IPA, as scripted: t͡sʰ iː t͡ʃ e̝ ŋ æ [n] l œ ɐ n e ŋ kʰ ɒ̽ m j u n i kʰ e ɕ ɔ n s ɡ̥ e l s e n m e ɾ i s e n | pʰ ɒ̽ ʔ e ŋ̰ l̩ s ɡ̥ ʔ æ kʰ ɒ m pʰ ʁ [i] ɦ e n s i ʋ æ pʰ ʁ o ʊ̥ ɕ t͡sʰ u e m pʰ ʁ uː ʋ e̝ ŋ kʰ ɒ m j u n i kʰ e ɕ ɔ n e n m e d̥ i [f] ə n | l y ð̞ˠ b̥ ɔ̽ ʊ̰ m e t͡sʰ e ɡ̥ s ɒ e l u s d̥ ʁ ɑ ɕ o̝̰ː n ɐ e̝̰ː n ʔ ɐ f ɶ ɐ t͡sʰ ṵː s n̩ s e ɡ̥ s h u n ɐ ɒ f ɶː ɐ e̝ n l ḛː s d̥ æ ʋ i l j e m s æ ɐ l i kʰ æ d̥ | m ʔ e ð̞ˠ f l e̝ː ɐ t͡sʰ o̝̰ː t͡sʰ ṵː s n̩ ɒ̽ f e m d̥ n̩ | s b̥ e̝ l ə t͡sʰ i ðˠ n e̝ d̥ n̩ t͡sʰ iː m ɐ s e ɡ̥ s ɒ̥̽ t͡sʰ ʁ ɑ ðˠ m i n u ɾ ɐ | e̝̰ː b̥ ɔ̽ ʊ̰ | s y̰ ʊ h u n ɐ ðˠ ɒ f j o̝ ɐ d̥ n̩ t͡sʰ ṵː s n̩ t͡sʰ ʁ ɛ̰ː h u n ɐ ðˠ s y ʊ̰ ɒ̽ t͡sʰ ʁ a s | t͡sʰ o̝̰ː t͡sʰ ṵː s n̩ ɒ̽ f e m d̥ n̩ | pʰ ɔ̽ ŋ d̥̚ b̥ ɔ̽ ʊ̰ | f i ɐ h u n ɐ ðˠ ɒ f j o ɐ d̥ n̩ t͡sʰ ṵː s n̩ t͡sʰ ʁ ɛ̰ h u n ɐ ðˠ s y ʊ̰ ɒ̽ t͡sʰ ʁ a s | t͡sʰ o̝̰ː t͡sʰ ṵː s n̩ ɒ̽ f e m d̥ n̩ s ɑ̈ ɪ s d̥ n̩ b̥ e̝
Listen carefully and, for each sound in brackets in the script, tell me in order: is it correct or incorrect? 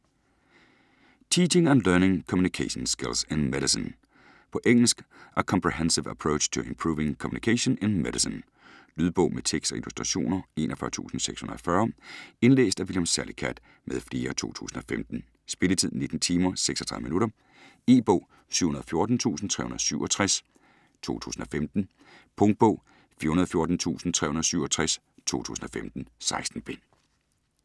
correct, correct, incorrect: s

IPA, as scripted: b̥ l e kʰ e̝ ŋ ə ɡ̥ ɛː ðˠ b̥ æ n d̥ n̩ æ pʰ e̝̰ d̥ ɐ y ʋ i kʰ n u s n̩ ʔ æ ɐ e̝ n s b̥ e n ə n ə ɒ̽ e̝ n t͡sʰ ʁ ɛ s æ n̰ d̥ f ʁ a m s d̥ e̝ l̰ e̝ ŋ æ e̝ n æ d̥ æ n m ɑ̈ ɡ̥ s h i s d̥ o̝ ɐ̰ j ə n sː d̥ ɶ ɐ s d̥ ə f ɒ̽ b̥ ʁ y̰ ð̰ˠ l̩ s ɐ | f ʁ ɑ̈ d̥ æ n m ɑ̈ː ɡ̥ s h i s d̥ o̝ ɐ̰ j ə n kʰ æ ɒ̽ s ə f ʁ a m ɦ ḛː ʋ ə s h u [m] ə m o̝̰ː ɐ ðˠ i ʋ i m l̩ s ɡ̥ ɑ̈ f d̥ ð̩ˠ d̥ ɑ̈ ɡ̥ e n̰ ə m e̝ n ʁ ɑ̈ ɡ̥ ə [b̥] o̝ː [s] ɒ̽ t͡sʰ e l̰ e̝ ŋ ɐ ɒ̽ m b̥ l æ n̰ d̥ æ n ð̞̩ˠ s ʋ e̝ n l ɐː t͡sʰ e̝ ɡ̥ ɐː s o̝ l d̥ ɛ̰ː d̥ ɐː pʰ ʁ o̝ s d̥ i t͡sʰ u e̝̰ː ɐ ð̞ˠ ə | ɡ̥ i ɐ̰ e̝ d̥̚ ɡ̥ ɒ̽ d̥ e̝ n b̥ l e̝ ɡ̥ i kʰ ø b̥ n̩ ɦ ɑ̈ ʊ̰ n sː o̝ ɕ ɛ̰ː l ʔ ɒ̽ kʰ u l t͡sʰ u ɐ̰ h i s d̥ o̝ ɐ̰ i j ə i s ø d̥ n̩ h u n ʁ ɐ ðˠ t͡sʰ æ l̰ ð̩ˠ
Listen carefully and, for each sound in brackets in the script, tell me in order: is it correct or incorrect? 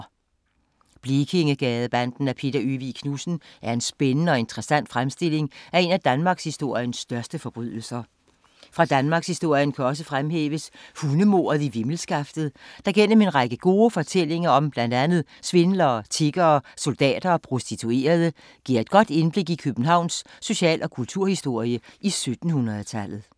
incorrect: n, incorrect: ɡ̥, incorrect: f

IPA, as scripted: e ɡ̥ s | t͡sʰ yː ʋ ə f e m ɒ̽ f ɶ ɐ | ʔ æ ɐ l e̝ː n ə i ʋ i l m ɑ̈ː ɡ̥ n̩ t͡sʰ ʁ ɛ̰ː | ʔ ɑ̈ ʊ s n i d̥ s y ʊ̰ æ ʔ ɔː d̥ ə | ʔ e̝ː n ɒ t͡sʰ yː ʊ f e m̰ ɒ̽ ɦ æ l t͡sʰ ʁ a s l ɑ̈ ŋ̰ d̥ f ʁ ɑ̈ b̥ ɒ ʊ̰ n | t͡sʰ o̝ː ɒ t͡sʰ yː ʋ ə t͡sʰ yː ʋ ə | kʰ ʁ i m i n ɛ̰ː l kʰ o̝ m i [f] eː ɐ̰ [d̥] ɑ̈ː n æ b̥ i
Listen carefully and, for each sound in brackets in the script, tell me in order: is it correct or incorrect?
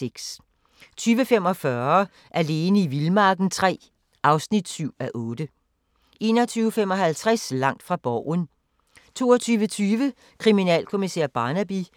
incorrect: s, incorrect: b̥

